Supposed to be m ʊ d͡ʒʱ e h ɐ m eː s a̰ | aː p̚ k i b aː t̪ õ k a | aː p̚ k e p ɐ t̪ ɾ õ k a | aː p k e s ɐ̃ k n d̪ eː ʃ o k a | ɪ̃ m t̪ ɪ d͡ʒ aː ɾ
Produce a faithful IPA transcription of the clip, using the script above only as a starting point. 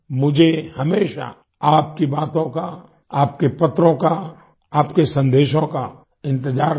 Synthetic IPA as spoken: m ʊ d͡ʒʱ e h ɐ m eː ʃ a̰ | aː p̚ k i b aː t̪ õ k a | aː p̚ k e p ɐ t̪ ɾ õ k a | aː p k e s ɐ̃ n d̪ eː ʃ õ k a | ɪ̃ n t̪ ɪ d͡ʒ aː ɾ

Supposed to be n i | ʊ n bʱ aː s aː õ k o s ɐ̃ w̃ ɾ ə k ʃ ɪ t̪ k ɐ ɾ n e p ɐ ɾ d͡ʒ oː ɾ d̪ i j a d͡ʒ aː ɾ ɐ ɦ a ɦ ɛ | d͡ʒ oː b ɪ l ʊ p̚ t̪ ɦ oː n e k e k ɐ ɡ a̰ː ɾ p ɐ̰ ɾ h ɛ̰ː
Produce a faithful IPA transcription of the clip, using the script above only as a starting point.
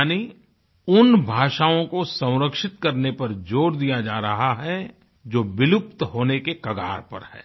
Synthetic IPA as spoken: n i | ʊ n bʱ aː ʃ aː õ k o s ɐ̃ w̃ ɾ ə k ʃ ɪ t̪ k ɐ ɾ n e p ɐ ɾ d͡ʒ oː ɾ d̪ i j a d͡ʒ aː ɾ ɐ ɦ a ɦ ɛ | d͡ʒ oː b ɪ l ʊ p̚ t̪ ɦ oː n e k e k ɐ ɡ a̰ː ɾ p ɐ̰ ɾ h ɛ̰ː

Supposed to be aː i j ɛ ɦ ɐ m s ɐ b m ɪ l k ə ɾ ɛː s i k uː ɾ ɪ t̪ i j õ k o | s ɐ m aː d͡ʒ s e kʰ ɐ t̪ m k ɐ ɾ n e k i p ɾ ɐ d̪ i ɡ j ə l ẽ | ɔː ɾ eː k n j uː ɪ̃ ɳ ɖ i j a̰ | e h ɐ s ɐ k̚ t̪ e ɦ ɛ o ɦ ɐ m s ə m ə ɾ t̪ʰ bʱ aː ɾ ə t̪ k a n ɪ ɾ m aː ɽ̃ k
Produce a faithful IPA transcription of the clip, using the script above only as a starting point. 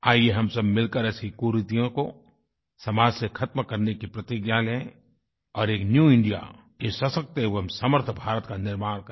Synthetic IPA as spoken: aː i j e ɦ ɐ m s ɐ b m ɪ l k ə ɾ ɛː s i k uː ɾ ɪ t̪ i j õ k o | s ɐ m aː d͡ʒ s e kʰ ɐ t̪ m k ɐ ɾ n e k i p ɾ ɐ t̪ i ɡ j a l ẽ | ɔː ɾ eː k n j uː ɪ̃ ɳ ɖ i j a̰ | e s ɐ s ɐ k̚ t̪ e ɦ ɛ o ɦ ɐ m s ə m ə ɾ t̪ʰ bʱ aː ɾ ə t̪ k a n ɪ ɾ m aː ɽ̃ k

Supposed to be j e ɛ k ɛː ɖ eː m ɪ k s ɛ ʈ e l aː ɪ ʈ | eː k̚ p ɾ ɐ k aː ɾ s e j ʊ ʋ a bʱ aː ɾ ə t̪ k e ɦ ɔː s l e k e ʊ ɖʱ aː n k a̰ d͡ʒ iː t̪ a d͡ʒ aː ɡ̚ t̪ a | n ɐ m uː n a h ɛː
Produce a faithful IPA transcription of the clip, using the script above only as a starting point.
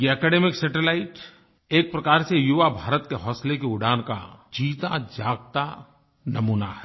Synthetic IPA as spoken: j e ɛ k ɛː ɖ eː m ɪ k s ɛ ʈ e l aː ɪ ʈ | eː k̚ p ɾ ɐ k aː ɾ s e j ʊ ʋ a bʱ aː ɾ ə t̪ k e ɦ ɔː s l e k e ʊ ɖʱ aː n k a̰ d͡ʒ iː t̪ a d͡ʒ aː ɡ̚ t̪ a | n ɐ m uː n a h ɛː

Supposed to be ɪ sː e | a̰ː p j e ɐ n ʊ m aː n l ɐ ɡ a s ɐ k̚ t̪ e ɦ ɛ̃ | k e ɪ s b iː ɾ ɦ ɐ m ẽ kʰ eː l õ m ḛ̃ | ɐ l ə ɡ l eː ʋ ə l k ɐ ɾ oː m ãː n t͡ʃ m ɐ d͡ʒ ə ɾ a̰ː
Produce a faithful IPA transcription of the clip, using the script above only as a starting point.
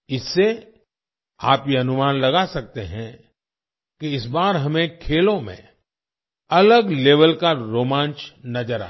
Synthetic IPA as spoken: ɪ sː e | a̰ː p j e ɐ n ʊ m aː n l ɐ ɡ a s ɐ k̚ t̪ e ɦ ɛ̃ | k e ɪ s b aː ɾ ɦ ɐ m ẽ kʰ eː l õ m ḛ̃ | ɐ l ə ɡ l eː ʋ ə l k a ɾ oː m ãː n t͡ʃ n ɐ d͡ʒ ə ɾ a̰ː

